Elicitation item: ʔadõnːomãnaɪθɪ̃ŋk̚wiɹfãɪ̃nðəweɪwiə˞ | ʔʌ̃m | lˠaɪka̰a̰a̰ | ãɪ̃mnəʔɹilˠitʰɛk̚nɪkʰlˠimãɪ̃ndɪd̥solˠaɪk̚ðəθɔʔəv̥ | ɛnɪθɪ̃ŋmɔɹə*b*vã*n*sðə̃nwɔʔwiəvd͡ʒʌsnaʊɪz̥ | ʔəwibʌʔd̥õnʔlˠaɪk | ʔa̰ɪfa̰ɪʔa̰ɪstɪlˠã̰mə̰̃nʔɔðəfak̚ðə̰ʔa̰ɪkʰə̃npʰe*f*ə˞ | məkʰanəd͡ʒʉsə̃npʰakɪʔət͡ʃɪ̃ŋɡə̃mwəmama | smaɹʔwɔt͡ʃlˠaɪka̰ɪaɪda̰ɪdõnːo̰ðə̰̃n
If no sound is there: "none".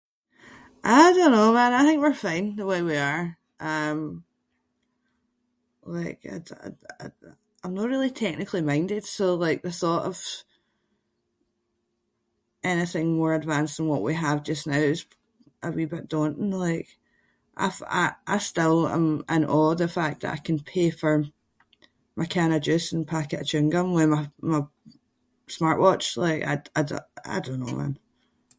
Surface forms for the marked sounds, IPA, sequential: d, n, f

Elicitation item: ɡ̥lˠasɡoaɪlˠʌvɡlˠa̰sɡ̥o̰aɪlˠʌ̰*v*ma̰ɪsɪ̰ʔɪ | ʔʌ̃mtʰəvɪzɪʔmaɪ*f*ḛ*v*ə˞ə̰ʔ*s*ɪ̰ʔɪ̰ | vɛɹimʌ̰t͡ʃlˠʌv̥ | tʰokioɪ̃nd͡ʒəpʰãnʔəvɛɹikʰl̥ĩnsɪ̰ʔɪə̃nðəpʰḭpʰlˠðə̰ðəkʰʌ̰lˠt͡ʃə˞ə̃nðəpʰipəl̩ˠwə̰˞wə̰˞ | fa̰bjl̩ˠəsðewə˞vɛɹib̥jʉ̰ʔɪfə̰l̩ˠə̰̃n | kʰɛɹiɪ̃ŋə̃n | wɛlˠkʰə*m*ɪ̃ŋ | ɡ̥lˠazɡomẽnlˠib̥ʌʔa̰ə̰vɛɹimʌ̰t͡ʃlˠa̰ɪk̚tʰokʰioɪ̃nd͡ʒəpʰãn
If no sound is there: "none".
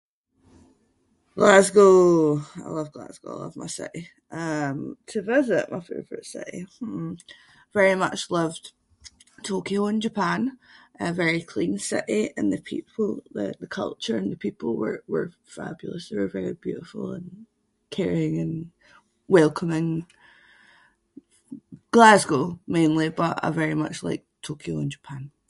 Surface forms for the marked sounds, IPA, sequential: v, f, v, s, m

